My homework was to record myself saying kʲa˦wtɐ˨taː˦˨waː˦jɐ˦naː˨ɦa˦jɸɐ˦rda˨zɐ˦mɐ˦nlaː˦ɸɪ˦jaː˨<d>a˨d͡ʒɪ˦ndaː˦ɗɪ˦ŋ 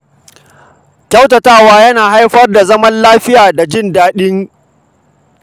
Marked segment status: correct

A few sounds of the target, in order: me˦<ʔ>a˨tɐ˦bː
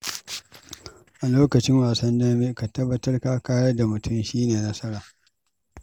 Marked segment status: incorrect: k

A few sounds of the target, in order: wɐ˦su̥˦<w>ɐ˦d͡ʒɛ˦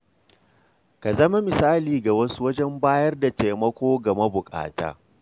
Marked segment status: correct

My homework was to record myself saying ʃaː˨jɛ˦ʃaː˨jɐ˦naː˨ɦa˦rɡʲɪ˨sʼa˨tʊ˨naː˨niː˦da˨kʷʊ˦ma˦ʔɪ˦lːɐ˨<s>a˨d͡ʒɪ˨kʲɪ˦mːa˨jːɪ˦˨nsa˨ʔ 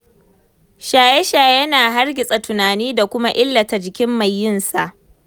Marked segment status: incorrect: t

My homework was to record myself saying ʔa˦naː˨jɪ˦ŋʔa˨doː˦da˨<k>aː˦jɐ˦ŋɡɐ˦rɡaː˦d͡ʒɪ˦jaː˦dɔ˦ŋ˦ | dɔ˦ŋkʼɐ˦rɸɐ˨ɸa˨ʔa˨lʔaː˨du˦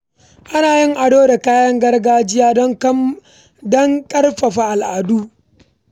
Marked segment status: correct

